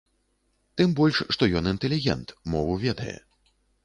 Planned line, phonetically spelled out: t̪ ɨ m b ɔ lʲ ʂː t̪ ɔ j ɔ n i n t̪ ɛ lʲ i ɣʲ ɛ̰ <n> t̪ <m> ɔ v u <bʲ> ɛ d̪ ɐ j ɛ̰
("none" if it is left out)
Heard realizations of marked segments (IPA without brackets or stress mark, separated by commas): n, m, vʲ